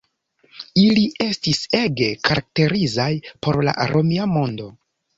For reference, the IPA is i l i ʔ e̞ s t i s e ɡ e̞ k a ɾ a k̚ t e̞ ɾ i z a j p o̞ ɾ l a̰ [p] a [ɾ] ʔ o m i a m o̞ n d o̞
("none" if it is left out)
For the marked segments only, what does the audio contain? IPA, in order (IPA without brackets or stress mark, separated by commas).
ʔ, ɾ